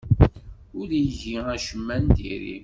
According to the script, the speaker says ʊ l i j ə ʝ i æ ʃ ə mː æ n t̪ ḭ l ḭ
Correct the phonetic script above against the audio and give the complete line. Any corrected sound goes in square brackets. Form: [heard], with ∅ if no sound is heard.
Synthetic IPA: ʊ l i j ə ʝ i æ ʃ ə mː æ n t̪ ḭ [ɾ] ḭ